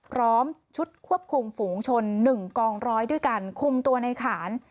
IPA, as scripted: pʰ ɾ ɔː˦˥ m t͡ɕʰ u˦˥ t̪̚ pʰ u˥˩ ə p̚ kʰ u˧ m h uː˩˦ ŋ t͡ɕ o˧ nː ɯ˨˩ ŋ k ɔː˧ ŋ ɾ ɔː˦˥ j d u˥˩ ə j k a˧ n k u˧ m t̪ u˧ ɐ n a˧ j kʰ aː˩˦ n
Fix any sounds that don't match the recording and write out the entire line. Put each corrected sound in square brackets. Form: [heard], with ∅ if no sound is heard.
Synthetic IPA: pʰ ɾ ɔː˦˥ m t͡ɕʰ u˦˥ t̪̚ [kʰ] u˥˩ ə p̚ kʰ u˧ m [f] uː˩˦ ŋ [t͡ɕʰ] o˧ nː ɯ˨˩ ŋ k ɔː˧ ŋ ɾ ɔː˦˥ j d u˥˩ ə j k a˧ n [kʰ] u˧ m t̪ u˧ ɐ n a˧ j kʰ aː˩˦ n